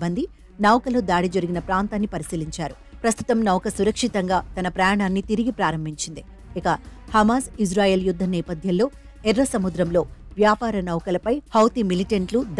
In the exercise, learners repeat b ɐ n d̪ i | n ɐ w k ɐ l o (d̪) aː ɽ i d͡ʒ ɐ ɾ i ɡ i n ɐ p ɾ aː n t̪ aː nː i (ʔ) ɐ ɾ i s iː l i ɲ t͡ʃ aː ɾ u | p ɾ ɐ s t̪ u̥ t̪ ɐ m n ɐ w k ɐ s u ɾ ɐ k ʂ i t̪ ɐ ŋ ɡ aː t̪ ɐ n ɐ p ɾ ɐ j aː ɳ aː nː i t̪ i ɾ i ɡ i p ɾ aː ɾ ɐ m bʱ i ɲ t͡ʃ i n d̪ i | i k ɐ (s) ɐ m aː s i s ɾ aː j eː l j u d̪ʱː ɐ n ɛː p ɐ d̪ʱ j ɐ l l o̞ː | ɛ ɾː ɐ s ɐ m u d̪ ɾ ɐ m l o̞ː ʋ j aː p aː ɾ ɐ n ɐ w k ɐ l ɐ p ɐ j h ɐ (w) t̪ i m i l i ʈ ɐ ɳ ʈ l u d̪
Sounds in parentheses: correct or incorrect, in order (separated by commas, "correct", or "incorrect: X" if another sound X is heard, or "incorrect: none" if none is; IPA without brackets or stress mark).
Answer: correct, incorrect: p, incorrect: h, correct